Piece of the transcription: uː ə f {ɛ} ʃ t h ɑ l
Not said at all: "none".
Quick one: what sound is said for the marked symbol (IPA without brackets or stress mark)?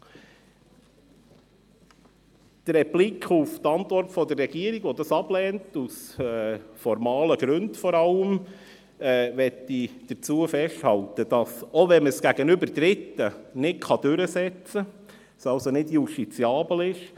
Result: ɛ